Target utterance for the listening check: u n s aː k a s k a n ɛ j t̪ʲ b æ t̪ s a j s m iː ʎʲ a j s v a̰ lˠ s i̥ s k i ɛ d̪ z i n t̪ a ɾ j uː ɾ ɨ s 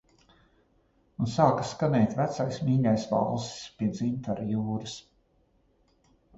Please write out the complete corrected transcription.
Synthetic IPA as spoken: u n s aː k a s k a n ɛ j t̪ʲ v æ t̪ s a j s m iː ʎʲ a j s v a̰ lˠ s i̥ s p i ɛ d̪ z i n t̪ a ɾ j uː ɾ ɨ s